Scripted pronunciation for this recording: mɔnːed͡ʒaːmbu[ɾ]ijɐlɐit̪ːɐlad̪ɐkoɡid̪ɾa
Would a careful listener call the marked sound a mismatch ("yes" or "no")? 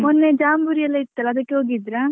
no